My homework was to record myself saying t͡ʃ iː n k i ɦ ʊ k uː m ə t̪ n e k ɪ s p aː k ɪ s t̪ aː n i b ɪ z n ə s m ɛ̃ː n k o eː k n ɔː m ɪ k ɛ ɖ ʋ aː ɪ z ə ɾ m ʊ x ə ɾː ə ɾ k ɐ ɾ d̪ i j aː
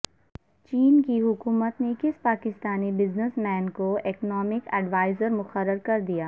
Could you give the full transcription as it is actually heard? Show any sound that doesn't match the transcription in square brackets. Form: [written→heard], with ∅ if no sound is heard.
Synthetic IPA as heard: t͡ʃ iː n k i ɦ ʊ k uː m ə t̪ n e k ɪ s p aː k ɪ s t̪ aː n i b ɪ z n ə s m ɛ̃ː n k o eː k n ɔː m ɪ k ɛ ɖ ʋ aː ɪ z ə ɾ m ʊ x ə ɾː ə ɾ k ɐ ɾ d̪ i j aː